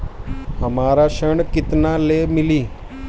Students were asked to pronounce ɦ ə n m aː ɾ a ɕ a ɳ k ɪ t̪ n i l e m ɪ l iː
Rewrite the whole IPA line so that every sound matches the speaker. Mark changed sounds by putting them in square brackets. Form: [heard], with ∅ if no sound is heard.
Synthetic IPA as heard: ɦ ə [∅] m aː ɾ a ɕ [ə] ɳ k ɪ t̪ n [a] l e m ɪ l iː